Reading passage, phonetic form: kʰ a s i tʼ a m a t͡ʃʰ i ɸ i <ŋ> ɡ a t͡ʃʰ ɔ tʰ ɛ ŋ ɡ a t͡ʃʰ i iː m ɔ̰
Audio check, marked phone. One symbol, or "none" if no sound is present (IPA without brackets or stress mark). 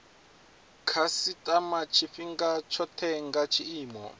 ŋ